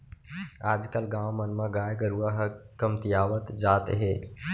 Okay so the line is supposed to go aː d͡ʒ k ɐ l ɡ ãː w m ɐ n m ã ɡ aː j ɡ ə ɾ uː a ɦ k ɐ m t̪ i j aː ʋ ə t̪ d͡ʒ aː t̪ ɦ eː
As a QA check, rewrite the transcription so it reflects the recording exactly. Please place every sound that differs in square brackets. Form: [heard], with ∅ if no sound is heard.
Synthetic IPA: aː d͡ʒ k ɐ l ɡ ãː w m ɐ n m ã ɡ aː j ɡ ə ɾ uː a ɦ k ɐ m t̪ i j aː ʋ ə t̪ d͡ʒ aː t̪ ɦ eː